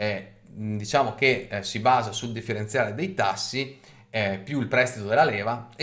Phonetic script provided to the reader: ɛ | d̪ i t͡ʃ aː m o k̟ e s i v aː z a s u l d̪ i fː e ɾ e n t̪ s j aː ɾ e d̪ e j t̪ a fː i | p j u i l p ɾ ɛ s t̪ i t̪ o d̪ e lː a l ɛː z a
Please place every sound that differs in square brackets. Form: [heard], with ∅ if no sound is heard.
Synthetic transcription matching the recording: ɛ | d̪ i t͡ʃ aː m o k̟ e s i [b] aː z a s u l d̪ i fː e ɾ e n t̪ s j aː ɾ e d̪ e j t̪ a [sː] i | p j u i l p ɾ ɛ s t̪ i t̪ o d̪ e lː a l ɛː [v] a